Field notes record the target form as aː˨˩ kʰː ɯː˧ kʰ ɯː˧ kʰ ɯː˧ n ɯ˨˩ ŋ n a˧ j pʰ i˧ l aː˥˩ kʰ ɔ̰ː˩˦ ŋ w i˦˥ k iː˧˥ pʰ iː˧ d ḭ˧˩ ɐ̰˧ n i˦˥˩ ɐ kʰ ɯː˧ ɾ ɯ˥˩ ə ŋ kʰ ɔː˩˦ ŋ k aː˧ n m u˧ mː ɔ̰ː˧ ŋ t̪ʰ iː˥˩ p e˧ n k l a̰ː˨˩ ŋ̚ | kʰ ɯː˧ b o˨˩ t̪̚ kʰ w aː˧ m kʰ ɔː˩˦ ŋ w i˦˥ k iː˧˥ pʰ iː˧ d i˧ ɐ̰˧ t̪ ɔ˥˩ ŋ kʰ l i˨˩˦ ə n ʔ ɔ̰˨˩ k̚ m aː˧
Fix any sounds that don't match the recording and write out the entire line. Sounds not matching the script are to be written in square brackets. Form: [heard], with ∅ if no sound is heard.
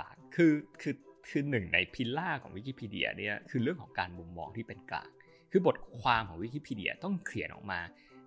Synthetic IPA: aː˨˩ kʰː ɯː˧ kʰ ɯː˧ kʰ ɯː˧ n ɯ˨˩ ŋ n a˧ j pʰ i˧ l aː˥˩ kʰ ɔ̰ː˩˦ ŋ w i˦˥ k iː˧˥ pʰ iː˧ d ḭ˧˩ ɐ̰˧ n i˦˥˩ ɐ kʰ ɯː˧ ɾ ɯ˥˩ ə ŋ kʰ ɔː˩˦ ŋ k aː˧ n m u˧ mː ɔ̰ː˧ ŋ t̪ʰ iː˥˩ p e˧ n k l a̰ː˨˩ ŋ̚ | kʰ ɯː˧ b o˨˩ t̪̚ kʰ w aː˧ m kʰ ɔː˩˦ ŋ w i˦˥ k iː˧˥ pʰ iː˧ d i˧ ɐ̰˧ t̪ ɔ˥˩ ŋ kʰ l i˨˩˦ ə n ʔ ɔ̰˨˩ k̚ m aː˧